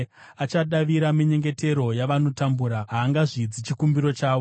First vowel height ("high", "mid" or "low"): low